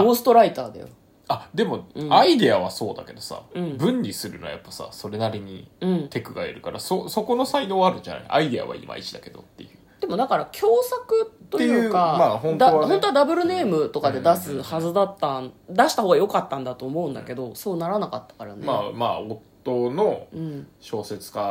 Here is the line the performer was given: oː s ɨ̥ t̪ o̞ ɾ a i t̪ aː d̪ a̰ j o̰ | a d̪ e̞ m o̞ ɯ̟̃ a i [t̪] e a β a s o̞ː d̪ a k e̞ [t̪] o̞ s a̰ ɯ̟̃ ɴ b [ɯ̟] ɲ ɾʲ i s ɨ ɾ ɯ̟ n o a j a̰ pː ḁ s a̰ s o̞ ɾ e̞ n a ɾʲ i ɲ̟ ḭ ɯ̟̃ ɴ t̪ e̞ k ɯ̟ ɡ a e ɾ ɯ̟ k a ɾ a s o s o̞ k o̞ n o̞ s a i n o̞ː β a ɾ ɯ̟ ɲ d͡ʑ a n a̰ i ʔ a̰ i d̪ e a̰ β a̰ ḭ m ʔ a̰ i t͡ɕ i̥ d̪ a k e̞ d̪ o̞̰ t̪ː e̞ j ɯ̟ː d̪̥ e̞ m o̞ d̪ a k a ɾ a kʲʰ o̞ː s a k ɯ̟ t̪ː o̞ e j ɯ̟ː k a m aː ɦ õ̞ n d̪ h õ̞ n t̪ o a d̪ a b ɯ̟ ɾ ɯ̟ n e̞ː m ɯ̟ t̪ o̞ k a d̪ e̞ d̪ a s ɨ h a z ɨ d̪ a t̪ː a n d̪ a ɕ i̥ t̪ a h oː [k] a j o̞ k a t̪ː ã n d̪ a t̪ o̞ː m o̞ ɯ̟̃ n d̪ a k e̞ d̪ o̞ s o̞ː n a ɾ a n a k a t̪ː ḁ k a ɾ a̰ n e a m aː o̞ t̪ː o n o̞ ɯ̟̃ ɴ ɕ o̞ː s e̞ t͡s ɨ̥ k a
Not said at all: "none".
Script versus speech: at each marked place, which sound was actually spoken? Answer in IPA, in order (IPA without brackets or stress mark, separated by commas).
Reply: d̪, d̪, ɯ̟̃, ɡ